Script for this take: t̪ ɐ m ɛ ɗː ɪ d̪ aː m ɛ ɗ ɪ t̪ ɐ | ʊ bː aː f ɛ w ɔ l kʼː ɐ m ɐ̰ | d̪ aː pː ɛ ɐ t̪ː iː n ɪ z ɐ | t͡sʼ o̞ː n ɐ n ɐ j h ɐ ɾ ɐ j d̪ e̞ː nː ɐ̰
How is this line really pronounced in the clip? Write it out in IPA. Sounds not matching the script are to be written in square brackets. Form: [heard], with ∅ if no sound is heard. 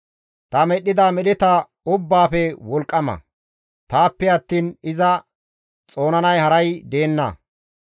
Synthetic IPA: t̪ ɐ m ɛ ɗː ɪ d̪ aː m ɛ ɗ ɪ t̪ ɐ | ʊ bː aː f ɛ w ɔ l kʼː ɐ m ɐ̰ | [t̪] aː pː ɛ ɐ t̪ː iː n ɪ z ɐ | t͡sʼ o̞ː n ɐ n ɐ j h ɐ ɾ ɐ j d̪ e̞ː nː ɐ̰